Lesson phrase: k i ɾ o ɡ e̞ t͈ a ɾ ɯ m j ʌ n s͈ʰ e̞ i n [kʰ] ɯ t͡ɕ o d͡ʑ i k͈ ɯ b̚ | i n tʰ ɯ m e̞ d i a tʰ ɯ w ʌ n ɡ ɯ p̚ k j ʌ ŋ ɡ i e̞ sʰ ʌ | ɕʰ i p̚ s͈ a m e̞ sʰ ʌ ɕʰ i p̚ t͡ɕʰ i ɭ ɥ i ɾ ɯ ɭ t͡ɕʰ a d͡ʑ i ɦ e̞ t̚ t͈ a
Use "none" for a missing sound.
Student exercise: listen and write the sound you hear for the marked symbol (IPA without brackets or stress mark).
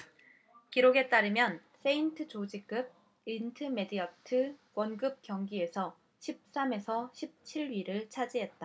tʰ